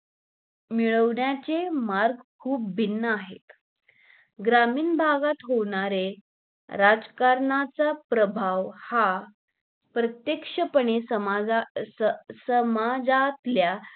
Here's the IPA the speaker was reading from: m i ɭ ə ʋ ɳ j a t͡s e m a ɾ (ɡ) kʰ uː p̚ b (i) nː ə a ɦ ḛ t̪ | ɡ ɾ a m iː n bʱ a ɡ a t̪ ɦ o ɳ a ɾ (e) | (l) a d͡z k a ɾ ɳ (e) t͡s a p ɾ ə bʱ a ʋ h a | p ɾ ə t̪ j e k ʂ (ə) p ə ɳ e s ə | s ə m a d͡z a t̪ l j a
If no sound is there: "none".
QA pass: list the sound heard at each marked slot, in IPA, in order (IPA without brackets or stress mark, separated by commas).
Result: ɡ, i, e, ɾ, a, ə